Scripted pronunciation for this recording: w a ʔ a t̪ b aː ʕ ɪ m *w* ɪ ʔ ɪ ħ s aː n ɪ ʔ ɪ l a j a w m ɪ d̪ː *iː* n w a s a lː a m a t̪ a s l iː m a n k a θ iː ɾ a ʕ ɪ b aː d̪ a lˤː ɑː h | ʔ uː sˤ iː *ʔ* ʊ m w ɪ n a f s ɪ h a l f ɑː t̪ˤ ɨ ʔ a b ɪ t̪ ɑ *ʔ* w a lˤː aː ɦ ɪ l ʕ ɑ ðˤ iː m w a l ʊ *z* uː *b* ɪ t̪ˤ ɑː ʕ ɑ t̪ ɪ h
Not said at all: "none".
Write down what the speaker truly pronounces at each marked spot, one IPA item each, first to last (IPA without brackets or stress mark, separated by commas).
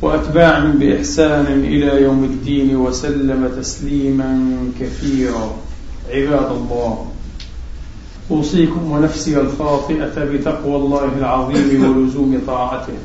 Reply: b, iː, k, q, z, m